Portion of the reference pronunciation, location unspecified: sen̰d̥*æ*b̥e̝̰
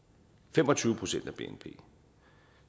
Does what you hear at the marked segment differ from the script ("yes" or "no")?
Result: no